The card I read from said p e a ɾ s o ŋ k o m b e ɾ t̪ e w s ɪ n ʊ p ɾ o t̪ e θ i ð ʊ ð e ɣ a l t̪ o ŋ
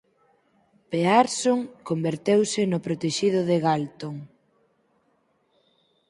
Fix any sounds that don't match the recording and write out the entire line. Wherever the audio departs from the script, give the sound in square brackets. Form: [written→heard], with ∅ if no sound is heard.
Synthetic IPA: p e a ɾ s o ŋ k o m b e ɾ t̪ e w s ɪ n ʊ p ɾ o t̪ e [θ→ʃ] i ð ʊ ð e ɣ a l t̪ o ŋ